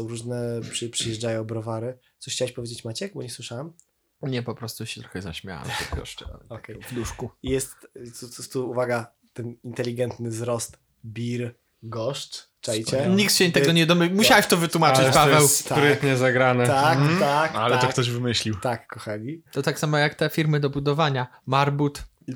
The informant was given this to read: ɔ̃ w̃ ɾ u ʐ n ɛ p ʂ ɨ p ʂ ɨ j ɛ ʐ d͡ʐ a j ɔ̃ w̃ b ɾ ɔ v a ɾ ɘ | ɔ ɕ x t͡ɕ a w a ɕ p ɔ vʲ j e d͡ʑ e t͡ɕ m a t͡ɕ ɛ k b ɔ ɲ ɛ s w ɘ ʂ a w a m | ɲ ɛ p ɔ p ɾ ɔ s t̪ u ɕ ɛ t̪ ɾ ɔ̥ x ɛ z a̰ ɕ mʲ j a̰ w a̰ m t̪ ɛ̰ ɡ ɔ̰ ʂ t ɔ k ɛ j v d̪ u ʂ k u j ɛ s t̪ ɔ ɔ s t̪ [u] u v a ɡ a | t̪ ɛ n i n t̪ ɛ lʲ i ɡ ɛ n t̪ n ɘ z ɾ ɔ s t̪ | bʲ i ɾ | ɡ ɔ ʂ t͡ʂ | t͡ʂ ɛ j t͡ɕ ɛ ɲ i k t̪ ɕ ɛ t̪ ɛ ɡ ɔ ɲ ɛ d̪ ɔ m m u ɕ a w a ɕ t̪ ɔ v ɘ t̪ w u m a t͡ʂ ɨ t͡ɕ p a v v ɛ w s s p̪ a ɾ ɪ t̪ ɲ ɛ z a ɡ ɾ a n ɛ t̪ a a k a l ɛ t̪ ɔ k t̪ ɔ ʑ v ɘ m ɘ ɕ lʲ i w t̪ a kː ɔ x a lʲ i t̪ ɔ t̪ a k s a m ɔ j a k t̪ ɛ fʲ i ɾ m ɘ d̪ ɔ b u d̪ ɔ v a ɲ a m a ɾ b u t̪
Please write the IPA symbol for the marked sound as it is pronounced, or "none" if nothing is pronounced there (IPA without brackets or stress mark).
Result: u